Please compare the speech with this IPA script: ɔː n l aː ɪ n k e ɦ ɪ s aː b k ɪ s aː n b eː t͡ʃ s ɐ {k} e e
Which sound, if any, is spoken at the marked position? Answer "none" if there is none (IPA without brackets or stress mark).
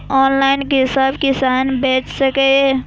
k